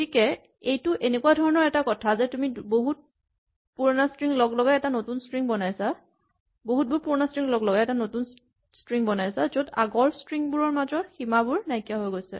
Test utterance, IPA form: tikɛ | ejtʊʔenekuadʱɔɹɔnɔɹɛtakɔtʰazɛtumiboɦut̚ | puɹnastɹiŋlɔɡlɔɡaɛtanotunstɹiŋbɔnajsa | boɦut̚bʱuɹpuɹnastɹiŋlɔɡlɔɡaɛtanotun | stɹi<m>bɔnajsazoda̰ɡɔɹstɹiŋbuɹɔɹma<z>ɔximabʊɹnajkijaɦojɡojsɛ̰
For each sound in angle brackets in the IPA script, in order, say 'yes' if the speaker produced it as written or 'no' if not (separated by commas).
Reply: no, yes